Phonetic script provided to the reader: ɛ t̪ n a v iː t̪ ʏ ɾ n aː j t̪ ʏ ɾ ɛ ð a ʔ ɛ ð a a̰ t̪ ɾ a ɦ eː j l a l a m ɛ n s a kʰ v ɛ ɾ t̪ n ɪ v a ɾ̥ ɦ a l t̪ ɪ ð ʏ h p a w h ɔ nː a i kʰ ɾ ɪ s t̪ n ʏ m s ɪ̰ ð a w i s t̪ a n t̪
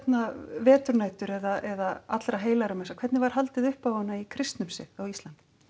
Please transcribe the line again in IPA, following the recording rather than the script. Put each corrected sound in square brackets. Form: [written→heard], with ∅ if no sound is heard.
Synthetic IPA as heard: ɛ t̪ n a v [iː→ɛː] t̪ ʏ ɾ n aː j t̪ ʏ ɾ ɛ ð a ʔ ɛ ð a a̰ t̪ ɾ a ɦ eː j l a [l→ɾ] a m ɛ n s a kʰ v ɛ ɾ t̪ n ɪ v a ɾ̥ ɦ a l t̪ ɪ ð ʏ h p a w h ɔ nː a i kʰ ɾ ɪ s t̪ n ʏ m s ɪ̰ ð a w i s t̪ a n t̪